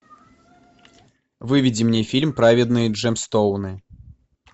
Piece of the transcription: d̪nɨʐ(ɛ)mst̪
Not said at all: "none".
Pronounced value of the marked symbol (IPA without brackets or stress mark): ɛ